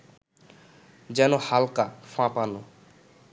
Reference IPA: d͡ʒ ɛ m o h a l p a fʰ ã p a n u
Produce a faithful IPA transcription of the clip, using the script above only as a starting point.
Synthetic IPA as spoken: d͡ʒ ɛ n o h a l k a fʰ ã p a n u